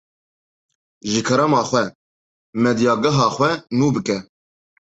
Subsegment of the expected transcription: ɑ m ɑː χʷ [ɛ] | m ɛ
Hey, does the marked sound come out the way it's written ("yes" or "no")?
yes